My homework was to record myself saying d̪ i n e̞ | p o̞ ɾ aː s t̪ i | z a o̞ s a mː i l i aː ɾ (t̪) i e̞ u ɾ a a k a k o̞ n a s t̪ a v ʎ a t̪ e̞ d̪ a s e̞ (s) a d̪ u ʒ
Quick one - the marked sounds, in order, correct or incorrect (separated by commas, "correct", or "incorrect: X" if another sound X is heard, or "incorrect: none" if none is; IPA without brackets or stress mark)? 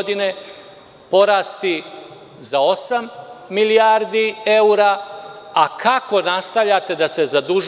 incorrect: d̪, incorrect: z